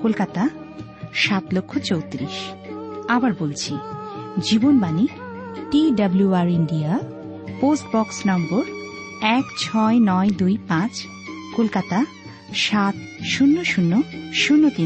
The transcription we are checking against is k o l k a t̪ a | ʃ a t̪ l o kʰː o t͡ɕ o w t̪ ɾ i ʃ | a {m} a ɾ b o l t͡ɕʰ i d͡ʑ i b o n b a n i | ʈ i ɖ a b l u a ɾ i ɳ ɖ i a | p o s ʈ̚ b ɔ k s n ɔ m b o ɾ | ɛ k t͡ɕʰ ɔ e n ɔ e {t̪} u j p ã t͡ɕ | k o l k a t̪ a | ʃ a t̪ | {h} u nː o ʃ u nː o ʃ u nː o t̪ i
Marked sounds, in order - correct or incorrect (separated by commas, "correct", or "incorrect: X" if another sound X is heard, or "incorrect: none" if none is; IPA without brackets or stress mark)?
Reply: incorrect: b, incorrect: d̪, incorrect: ʃ